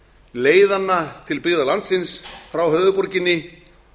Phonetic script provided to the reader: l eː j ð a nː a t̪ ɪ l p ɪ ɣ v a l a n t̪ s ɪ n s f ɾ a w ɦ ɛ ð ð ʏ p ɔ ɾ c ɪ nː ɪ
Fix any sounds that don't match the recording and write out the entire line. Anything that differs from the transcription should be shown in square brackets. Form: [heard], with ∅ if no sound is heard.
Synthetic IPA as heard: l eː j ð a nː a [t̪ʰ] ɪ l p ɪ ɣ [ð] a l a n t̪ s ɪ n s f ɾ a w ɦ [œ] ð ð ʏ p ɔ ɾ c ɪ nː ɪ